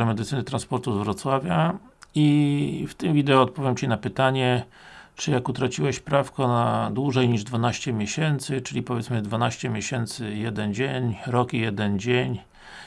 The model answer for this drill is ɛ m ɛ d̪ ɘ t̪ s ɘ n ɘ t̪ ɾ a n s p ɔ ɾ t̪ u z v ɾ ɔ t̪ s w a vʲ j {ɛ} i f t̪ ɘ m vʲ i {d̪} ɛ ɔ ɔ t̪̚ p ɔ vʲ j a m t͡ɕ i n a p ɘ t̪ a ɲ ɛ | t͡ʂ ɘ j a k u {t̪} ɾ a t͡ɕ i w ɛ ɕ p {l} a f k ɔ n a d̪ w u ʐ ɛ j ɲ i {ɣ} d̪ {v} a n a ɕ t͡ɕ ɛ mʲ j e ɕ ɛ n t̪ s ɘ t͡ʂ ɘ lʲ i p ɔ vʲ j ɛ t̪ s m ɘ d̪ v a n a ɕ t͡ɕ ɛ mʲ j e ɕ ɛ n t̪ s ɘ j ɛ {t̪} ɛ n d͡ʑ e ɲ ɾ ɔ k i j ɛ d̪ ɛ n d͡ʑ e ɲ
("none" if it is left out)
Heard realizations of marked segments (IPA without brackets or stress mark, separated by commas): a, d̪, t̪, ɾ, ʐ, v, d̪